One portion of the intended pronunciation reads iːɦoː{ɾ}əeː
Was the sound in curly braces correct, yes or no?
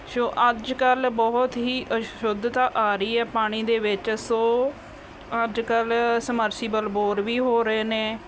yes